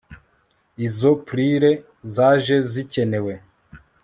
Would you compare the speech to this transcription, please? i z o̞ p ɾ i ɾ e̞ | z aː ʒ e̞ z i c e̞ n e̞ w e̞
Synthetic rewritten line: i z o̞ p ɾ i ɾ e̞ | z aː ʒ e̞ z i c e̞ n e̞ w e̞